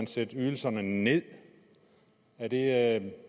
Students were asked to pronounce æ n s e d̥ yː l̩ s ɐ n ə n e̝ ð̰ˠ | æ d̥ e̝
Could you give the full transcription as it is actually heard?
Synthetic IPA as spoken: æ n s e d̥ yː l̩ s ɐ n ə n e̝ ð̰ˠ | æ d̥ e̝